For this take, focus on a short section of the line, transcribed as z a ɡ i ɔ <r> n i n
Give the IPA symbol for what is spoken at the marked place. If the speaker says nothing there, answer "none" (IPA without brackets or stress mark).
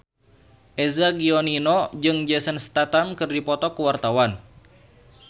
none